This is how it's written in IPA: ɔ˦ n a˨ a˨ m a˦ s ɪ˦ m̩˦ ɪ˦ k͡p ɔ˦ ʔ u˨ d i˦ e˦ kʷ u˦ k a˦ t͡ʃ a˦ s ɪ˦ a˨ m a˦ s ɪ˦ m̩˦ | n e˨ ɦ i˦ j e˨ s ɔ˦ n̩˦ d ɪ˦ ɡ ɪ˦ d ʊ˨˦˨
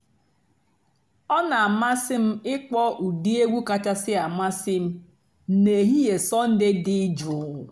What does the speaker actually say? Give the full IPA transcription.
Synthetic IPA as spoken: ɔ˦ n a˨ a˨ m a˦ s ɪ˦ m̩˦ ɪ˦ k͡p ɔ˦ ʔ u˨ d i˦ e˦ ɡʷ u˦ k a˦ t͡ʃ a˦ s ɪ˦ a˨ m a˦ s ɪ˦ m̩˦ | n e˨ ɦ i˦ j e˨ s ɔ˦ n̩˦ d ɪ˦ d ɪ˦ d͡ʒ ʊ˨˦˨